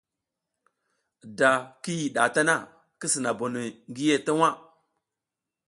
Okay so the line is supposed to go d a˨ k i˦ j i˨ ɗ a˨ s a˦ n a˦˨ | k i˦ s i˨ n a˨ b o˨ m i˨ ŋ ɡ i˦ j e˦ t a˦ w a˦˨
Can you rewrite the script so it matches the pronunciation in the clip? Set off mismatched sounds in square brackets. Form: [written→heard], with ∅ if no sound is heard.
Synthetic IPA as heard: d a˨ k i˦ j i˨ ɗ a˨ [s→t] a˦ n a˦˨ | k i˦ s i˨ n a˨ b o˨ [m→n] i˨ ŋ ɡ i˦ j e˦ t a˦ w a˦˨